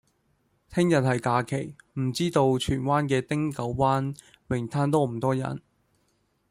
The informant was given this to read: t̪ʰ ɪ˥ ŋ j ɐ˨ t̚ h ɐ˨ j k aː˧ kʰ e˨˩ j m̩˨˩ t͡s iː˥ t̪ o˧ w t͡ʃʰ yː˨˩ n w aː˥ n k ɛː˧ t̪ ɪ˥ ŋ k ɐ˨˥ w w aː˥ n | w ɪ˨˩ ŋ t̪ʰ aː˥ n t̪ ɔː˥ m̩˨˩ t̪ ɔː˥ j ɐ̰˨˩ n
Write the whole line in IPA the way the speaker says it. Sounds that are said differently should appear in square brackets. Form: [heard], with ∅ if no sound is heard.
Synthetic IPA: t̪ʰ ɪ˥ ŋ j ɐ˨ t̚ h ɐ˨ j k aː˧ kʰ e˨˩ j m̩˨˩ t͡s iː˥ t̪ o˧ w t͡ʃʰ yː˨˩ n w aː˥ n k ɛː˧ t̪ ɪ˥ ŋ k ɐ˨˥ w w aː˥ n | w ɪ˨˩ ŋ t̪ʰ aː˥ n t̪ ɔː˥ m̩˨˩ t̪ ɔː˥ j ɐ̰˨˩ n

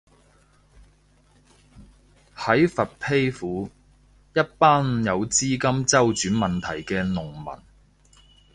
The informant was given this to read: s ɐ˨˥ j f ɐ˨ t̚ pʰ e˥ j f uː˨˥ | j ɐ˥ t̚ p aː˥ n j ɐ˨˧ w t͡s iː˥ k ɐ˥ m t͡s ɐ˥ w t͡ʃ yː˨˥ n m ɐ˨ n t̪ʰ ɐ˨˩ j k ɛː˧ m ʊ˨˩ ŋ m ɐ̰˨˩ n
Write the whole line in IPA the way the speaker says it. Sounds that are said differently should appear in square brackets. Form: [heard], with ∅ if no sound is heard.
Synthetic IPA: [h] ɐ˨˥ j f ɐ˨ t̚ pʰ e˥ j f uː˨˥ | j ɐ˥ t̚ p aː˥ n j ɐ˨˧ w t͡s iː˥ k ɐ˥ m t͡s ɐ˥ w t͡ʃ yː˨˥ n m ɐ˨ n t̪ʰ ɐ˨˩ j k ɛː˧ [n] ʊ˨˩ ŋ m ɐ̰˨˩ n

